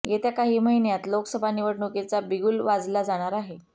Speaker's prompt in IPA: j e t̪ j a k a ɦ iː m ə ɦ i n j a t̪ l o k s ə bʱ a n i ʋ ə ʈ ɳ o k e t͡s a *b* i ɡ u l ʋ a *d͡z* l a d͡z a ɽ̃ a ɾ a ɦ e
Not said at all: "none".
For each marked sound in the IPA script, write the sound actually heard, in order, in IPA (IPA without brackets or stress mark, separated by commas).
b, d͡z